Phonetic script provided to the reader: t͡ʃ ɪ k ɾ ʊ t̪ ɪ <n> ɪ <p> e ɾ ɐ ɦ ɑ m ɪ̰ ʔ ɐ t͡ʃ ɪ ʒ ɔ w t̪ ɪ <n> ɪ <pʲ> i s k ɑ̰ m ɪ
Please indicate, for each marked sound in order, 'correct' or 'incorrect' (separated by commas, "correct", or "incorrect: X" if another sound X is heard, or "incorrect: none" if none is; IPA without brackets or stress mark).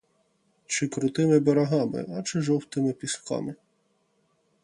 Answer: incorrect: m, incorrect: b, incorrect: m, correct